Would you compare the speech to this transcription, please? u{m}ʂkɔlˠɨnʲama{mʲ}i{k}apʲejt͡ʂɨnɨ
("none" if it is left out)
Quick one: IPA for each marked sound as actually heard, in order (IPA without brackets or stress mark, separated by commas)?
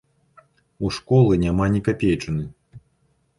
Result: none, nʲ, k